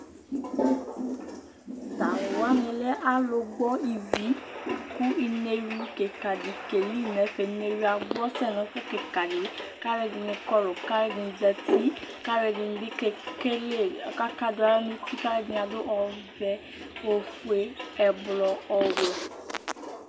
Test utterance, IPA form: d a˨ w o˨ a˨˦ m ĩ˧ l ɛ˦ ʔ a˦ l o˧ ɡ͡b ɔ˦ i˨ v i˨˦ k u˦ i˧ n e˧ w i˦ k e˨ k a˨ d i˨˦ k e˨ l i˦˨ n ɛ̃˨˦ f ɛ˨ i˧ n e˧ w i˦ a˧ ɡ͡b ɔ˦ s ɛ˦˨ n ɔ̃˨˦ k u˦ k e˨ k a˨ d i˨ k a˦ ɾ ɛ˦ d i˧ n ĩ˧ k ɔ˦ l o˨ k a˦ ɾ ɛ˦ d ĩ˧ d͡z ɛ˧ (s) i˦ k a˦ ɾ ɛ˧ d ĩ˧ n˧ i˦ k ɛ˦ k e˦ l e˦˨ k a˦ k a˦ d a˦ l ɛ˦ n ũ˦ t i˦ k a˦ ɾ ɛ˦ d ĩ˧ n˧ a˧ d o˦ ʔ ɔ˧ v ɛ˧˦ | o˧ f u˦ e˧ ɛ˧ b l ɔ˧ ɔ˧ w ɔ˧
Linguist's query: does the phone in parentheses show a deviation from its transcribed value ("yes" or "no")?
yes